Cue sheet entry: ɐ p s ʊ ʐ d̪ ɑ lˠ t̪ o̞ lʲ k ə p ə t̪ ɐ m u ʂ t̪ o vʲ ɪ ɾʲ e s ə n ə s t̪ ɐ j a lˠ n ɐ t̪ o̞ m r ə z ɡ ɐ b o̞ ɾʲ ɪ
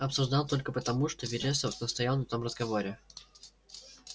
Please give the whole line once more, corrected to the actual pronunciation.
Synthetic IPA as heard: ɐ p s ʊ ʐ d̪ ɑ lˠ t̪ o̞ lʲ k ə p ə t̪ ɐ m u ʂ t̪ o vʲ ɪ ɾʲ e s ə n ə s t̪ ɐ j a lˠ n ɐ t̪ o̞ m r ə z ɡ ɐ v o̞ ɾʲ ɪ